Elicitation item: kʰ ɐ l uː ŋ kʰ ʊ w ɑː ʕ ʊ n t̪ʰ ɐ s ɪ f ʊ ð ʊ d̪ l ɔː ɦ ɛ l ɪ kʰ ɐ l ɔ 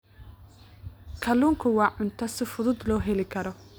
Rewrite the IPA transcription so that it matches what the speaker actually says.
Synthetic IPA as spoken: kʰ ɐ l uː ŋ kʰ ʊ w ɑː ʕ ʊ n t̪ʰ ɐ s ɪ f ʊ ð ʊ d̪ l ɔː ɦ ɛ l ɪ kʰ ɐ ɾ ɔ